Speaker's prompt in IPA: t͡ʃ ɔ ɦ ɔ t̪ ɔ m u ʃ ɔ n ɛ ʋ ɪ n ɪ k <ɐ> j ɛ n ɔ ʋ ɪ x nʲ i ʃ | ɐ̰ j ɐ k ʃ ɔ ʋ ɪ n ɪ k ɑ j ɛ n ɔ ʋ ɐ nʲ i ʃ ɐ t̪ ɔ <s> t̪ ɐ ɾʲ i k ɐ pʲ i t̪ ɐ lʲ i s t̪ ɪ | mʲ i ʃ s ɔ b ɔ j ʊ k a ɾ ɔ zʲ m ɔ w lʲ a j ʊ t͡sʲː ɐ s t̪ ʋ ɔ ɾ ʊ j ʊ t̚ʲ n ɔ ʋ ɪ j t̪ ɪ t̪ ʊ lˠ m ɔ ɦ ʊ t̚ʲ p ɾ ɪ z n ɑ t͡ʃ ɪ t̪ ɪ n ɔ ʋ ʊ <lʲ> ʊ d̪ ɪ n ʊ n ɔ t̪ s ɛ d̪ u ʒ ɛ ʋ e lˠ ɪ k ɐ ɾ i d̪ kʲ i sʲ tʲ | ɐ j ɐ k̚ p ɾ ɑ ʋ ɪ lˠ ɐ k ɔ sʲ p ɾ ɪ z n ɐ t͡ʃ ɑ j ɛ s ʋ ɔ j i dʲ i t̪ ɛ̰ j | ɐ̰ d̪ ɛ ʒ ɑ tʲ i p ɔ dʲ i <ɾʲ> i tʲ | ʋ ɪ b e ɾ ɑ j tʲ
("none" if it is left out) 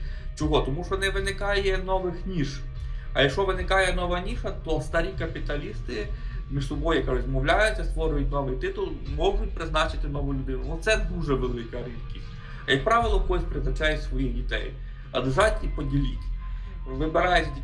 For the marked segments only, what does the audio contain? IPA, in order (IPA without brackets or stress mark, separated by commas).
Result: ɑ, s, lʲ, lʲ